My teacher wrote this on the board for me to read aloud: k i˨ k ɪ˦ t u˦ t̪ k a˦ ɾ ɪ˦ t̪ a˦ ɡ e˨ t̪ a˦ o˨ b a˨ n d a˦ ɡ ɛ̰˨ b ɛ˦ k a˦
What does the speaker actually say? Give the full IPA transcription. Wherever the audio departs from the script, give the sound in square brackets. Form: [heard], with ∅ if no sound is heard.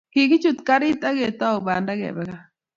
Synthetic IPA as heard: k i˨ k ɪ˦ [t͡ʃ] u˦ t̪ k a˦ ɾ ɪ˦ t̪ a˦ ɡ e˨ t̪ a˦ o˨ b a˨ n d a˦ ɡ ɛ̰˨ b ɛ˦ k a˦